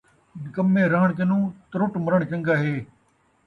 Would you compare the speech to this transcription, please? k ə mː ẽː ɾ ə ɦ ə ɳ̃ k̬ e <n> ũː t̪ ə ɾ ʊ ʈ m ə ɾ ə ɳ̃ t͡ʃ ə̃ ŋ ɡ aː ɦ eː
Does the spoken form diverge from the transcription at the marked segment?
no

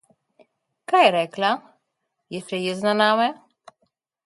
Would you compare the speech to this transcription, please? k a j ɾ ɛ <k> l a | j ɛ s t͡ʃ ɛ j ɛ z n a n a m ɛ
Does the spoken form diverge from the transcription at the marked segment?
no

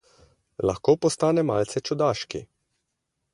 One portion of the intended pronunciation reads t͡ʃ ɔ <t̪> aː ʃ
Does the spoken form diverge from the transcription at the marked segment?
yes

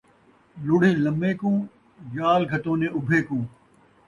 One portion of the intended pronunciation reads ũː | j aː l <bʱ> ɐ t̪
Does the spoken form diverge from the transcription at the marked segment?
yes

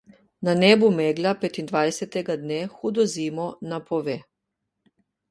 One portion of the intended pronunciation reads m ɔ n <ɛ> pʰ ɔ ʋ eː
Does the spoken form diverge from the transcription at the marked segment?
yes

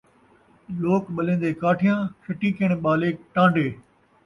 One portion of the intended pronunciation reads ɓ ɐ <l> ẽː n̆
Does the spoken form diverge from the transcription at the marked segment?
no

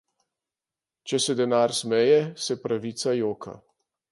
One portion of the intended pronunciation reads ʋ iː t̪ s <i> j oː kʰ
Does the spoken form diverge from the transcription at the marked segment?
yes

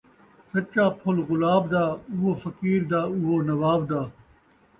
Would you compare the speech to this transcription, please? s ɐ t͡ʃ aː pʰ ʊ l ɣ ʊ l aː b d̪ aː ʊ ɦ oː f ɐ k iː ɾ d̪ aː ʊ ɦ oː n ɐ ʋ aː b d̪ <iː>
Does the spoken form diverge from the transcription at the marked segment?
yes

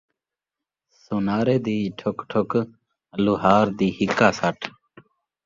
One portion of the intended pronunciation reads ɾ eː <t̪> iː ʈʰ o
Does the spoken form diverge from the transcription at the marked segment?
yes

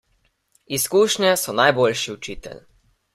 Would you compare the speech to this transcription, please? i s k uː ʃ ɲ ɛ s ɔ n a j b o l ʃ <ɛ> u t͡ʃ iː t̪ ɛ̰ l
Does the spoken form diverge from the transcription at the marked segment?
yes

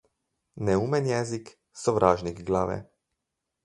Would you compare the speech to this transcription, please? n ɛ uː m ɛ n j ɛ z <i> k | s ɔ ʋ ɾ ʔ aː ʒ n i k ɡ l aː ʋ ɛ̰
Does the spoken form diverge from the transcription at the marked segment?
no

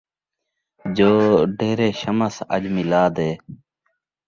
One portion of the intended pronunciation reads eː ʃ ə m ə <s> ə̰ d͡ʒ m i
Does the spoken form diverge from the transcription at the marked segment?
no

